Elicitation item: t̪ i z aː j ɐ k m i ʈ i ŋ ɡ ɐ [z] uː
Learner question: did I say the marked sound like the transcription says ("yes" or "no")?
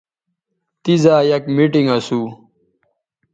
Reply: no